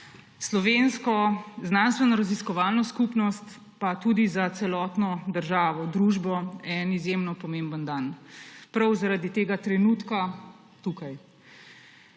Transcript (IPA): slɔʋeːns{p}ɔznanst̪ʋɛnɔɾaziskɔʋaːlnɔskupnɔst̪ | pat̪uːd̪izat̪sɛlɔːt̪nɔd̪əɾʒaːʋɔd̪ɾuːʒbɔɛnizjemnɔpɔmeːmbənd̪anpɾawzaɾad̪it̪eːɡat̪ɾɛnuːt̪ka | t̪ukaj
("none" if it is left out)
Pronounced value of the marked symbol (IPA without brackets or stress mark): k